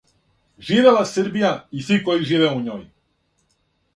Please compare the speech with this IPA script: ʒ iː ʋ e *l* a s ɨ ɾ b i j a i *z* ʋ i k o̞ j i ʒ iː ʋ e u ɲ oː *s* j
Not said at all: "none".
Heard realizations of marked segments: l, s, none

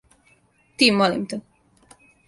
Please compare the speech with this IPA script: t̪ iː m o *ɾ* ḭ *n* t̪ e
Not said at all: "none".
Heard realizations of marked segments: l, m

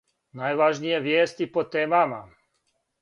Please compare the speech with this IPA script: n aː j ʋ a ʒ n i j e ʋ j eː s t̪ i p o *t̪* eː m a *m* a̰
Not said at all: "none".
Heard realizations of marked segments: t̪, m

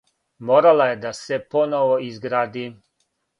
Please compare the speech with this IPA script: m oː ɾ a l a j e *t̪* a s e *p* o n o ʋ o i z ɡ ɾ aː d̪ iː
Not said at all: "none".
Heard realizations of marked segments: d̪, p

